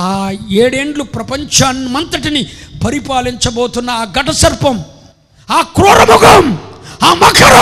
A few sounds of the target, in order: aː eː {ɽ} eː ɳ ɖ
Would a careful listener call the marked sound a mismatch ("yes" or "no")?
no